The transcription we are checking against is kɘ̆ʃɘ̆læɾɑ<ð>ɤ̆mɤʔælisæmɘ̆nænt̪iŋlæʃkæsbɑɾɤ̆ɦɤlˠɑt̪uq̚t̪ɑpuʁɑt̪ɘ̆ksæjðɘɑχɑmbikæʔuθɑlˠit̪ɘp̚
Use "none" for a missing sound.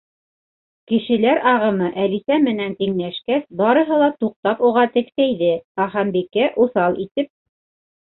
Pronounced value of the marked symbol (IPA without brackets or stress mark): ʁ